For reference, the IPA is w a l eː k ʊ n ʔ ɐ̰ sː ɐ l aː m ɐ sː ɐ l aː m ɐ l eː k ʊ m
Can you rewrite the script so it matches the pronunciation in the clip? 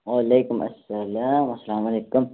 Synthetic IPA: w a l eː k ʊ m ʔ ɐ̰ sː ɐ l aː m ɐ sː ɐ l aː m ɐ l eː k ʊ m